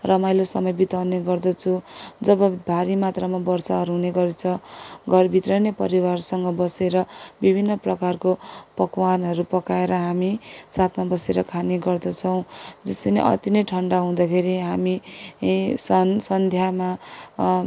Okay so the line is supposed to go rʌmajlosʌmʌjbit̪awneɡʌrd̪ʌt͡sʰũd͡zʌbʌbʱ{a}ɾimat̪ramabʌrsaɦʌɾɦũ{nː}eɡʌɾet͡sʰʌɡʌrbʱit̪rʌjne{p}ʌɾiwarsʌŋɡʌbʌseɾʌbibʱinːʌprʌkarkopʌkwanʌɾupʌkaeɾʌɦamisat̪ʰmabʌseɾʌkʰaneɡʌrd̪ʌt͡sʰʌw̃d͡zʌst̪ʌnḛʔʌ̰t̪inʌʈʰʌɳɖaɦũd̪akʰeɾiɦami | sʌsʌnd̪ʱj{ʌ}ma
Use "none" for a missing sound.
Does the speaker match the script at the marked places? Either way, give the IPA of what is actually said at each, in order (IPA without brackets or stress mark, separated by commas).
a, n, p, a